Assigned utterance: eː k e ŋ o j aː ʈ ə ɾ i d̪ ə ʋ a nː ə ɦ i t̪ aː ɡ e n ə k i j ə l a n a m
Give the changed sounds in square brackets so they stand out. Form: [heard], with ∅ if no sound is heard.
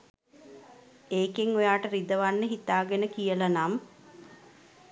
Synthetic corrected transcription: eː k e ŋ o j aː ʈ ə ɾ i d̪ ə ʋ a nː ə ɦ i t̪ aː ɡ e n ə k i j ə l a n a m